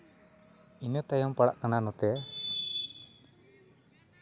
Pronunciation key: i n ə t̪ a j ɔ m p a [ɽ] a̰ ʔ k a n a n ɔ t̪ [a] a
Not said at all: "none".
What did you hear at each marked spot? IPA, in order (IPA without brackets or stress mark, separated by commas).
ɽ, ɛ